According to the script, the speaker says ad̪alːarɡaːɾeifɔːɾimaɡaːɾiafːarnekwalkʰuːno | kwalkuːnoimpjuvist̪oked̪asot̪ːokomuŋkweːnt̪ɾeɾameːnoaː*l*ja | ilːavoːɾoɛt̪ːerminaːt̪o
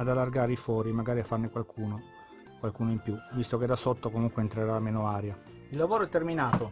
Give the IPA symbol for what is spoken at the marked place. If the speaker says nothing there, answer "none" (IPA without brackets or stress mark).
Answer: ɾ